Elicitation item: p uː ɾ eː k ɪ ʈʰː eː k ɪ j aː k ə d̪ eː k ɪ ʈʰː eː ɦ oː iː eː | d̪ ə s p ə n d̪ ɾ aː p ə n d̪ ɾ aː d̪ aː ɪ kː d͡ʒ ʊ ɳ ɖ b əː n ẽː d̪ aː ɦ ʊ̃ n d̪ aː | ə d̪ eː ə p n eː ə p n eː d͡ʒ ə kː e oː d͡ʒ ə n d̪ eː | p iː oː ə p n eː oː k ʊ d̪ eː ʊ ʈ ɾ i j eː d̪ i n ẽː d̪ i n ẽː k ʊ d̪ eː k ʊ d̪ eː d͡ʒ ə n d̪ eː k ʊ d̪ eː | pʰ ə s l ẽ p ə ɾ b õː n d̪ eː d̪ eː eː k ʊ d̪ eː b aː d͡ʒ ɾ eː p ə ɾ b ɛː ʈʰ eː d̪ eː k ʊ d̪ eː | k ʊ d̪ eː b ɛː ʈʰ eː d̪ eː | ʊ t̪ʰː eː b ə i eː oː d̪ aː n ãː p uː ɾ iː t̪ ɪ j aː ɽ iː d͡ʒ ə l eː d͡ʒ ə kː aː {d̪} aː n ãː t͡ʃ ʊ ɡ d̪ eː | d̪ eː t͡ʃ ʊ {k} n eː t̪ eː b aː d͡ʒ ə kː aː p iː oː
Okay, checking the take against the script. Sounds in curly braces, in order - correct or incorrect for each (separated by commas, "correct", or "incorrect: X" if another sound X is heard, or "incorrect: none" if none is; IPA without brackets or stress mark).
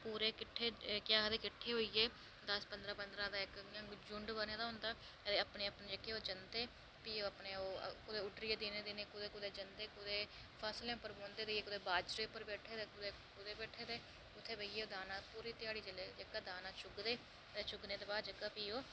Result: correct, incorrect: ɡ